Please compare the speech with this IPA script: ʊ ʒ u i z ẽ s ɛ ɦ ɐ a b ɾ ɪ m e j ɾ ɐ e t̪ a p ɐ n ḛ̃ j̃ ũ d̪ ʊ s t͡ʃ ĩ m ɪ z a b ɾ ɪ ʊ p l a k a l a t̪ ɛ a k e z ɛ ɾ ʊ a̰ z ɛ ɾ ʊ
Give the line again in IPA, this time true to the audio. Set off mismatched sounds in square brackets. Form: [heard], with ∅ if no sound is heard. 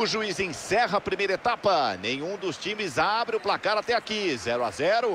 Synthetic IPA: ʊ ʒ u i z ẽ s ɛ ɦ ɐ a [p] ɾ [i] m e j ɾ ɐ e t̪ a p ɐ n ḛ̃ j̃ ũ d̪ ʊ s t͡ʃ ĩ m ɪ z a b ɾ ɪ ʊ p l a k a [ɾ] a t̪ ɛ a k [i] z ɛ ɾ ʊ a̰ z ɛ ɾ ʊ